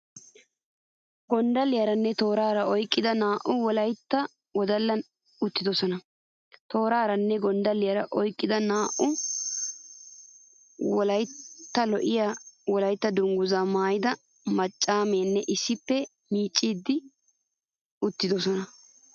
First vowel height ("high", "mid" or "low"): mid